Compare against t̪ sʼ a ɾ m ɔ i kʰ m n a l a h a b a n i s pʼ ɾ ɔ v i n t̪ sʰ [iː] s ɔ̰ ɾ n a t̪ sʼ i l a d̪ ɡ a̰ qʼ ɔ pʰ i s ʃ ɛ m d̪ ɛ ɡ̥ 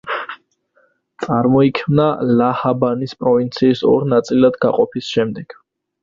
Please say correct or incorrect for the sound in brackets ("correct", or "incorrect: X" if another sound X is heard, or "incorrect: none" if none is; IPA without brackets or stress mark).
correct